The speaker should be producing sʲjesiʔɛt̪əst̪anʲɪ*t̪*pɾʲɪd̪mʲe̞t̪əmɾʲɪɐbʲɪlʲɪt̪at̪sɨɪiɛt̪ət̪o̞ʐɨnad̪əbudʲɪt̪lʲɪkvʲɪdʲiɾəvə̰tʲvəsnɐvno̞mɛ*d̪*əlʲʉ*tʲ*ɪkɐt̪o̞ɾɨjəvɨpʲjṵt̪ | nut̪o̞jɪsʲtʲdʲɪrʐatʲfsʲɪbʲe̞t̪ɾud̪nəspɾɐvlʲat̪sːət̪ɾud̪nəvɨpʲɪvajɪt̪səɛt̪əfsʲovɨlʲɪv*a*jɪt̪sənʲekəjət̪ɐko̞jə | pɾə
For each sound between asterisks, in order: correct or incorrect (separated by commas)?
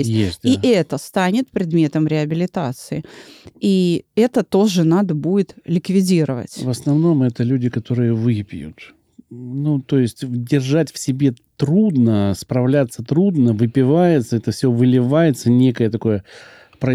correct, incorrect, incorrect, correct